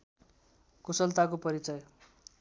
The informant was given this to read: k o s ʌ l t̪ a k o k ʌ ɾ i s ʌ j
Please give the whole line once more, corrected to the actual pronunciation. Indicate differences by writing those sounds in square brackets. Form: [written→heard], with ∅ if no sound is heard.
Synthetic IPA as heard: k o s ʌ l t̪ a k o [k→p] ʌ ɾ i [s→t͡s] ʌ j